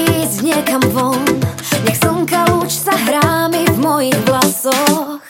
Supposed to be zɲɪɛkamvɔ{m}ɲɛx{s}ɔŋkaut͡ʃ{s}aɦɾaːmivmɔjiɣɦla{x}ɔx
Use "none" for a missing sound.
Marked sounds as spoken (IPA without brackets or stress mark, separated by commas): n, s, s, s